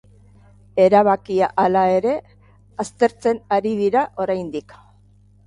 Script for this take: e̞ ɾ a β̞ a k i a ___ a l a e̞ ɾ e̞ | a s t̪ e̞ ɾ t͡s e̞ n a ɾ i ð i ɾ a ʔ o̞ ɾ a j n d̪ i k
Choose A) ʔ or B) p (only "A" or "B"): A